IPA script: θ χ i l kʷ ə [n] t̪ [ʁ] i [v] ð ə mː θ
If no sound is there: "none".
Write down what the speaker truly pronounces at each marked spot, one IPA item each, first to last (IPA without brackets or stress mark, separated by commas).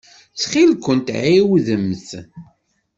n, ʕ, w